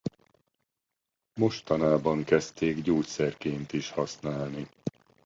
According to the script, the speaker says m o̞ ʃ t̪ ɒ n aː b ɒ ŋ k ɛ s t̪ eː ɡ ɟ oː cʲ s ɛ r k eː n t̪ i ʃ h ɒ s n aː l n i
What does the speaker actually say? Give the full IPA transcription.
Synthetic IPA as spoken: m o̞ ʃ t̪ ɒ n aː b ɒ ŋ k ɛ s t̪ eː ɡ ɟ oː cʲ s ɛ r k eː n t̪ i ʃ h ɒ s n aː l n i